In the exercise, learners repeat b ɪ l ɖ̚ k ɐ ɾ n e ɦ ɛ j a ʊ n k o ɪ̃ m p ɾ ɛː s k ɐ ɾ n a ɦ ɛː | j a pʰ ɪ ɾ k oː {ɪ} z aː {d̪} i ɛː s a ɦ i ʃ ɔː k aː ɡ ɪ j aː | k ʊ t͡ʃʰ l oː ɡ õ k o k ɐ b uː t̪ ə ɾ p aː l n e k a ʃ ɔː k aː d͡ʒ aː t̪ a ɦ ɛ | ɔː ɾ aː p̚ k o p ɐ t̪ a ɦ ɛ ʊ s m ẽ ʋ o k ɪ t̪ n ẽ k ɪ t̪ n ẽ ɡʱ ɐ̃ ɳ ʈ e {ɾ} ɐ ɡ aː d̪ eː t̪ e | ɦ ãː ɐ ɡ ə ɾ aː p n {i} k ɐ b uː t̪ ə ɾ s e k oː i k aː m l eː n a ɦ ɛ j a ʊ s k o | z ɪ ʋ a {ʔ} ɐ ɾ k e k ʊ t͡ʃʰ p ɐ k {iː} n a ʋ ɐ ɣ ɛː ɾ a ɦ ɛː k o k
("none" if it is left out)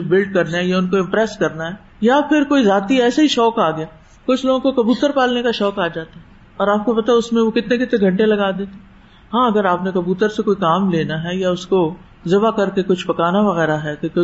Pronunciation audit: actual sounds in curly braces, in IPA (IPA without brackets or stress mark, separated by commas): i, t̪, l, e, k, aː